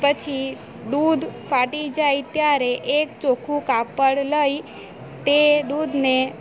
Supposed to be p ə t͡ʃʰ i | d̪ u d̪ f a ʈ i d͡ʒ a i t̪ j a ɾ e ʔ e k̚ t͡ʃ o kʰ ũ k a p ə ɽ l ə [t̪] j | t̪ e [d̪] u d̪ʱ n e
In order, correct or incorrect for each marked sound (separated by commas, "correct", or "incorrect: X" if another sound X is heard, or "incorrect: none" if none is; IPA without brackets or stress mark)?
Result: incorrect: none, correct